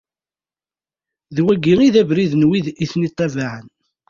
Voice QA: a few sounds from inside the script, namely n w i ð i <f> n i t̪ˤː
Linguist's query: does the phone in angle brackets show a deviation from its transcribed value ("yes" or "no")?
yes